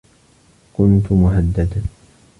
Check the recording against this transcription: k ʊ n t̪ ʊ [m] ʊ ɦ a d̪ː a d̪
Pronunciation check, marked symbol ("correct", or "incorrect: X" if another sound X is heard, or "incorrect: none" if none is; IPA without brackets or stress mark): correct